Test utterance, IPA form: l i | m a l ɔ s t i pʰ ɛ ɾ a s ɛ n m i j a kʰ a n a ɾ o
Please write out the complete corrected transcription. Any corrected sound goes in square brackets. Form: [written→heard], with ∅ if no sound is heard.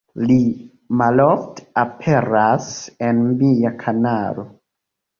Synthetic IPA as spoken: l i | m a l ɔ [s→f] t [i→a] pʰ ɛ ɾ a s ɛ n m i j a kʰ a n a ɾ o